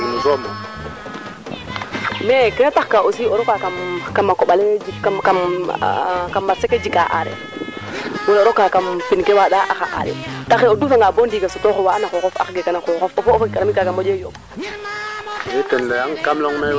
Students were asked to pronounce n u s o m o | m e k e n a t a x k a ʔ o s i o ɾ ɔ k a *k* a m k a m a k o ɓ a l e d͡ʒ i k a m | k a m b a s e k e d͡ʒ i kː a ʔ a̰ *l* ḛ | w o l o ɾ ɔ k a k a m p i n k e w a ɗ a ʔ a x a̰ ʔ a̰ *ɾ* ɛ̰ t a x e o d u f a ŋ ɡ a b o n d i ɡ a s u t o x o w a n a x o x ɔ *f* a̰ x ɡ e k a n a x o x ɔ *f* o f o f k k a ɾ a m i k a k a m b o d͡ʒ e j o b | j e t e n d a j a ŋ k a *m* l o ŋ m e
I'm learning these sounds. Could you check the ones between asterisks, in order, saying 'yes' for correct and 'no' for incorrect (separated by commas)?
yes, no, yes, yes, yes, yes